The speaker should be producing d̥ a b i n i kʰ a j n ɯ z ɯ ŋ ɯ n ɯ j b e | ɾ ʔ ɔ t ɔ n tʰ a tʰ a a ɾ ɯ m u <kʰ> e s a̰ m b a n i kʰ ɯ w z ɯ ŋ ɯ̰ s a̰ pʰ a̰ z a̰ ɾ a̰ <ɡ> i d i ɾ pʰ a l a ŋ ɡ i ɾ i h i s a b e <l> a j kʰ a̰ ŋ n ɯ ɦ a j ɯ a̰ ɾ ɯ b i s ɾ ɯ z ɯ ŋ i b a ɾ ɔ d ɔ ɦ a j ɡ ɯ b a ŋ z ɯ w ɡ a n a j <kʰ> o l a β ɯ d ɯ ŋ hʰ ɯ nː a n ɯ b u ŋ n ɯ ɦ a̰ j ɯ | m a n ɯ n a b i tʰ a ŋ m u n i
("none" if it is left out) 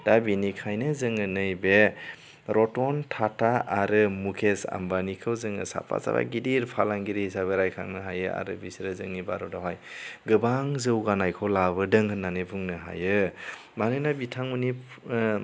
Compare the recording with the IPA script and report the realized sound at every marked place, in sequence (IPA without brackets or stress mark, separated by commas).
kʰ, ɡ, ɾ, kʰ